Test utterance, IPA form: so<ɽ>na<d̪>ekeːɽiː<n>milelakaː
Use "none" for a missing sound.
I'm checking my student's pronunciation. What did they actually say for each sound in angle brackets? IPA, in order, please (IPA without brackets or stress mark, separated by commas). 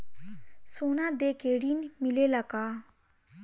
none, d̪, n